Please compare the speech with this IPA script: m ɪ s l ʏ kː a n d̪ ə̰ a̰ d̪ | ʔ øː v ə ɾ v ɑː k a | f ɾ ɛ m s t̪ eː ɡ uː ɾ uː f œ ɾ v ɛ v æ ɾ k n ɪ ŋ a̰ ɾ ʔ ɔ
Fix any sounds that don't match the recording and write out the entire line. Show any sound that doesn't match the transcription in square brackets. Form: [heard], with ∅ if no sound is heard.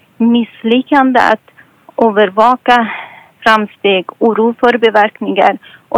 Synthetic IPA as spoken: m ɪ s l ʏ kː a n d̪ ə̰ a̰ [t̪] | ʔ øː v ə ɾ v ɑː k a | f ɾ [a] m s t̪ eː ɡ uː ɾ uː f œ ɾ [b] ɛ v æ ɾ k n ɪ ŋ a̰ ɾ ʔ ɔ